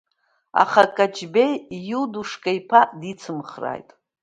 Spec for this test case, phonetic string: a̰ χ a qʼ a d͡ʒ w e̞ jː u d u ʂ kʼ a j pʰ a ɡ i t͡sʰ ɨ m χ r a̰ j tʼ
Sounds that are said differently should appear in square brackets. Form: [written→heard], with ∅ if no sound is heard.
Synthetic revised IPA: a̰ χ a [qʼ→kʼ] a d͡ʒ [w→b] e̞ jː u d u ʂ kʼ a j pʰ a [ɡ→d] i t͡sʰ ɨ m χ r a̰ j tʼ